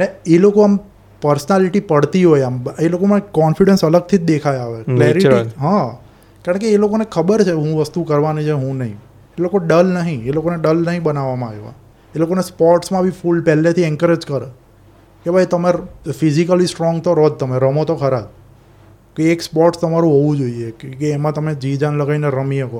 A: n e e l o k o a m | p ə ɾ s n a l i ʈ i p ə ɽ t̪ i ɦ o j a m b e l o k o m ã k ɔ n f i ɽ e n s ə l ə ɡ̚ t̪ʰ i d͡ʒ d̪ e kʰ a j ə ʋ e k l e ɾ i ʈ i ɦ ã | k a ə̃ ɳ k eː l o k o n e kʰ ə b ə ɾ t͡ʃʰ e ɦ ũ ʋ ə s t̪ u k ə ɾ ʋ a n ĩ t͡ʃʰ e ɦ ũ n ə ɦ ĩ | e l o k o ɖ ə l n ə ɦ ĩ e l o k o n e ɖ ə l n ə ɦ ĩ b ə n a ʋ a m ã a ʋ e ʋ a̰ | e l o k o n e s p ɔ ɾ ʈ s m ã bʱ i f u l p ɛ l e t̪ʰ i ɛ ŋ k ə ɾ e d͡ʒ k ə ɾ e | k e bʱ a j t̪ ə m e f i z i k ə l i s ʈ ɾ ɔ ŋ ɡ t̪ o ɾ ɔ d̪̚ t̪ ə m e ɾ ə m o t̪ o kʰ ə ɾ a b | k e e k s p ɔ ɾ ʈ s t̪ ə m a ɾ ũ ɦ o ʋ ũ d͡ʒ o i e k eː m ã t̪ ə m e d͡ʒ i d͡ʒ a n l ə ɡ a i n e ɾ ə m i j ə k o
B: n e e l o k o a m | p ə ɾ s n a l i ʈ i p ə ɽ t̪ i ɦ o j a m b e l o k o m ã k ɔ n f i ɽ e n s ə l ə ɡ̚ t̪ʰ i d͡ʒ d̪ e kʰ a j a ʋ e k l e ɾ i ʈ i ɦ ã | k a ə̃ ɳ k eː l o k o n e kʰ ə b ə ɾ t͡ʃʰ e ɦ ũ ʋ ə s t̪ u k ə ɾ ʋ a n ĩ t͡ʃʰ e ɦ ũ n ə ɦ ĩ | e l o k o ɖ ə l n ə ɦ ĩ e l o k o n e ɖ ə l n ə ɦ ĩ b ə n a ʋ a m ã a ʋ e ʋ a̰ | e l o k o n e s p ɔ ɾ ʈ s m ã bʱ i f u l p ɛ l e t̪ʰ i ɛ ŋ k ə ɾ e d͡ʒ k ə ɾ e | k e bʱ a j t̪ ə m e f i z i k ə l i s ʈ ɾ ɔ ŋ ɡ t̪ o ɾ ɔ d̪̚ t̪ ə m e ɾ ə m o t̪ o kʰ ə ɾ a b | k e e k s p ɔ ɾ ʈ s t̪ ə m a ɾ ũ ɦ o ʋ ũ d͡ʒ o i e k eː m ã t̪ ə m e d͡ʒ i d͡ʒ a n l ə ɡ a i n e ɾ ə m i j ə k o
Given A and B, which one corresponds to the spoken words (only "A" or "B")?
B